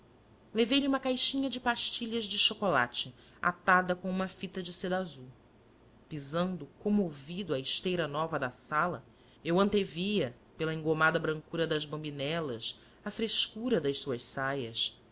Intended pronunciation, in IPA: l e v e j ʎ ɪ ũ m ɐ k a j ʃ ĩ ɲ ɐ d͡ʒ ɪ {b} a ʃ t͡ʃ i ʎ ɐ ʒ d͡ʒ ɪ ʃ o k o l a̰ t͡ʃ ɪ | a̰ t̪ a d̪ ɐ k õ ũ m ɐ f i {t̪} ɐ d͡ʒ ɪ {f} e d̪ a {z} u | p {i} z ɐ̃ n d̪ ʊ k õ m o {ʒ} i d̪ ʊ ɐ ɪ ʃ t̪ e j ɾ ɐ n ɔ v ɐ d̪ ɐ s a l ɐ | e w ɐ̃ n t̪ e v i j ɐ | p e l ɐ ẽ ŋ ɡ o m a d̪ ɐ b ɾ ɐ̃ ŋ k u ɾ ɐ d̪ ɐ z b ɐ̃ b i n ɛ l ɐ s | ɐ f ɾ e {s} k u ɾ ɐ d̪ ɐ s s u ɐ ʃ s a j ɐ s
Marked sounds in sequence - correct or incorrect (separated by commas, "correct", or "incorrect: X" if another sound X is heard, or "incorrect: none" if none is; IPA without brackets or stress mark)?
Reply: incorrect: p, correct, incorrect: s, correct, correct, incorrect: v, incorrect: ʃ